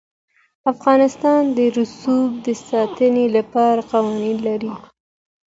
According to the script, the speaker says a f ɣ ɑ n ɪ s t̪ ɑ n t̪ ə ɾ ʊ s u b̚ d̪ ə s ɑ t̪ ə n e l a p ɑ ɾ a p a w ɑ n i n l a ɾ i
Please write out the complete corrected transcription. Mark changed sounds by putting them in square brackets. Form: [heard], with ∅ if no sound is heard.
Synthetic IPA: a f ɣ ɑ n ɪ s t̪ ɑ n [d̪] ə ɾ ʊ s u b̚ d̪ ə s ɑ t̪ ə n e l a p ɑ ɾ a [q] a w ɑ n i n l a ɾ i